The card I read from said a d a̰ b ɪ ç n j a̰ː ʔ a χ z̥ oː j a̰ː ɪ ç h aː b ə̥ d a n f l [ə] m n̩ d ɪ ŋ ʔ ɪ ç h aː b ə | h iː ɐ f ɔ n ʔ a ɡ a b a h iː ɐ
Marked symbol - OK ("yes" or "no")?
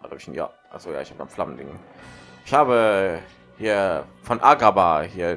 no